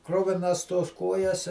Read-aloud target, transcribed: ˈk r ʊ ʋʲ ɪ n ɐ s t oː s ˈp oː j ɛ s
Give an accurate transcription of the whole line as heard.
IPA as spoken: ˈk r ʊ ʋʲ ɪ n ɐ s t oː s ˈk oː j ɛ s

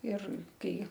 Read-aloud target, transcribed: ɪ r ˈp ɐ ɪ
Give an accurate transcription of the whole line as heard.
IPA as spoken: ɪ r ˈk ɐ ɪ

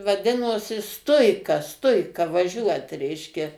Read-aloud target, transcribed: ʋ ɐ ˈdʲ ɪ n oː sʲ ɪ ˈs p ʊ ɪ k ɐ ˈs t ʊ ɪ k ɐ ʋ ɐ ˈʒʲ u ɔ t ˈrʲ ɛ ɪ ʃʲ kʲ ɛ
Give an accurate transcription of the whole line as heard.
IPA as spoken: ʋ ɐ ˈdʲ ɪ n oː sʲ ɪ ˈs t ʊ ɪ k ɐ ˈs t ʊ ɪ k ɐ ʋ ɐ ˈʒʲ u ɔ t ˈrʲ ɛ ɪ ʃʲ kʲ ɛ

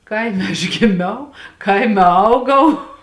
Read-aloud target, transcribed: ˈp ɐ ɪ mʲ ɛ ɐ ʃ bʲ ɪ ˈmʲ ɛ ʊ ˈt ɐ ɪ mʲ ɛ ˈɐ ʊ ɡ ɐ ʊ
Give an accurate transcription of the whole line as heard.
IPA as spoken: ˈk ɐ ɪ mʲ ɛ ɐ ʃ ɡʲ ɪ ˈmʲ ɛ ʊ ˈk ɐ ɪ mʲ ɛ ˈɐ ʊ ɡ ɐ ʊ

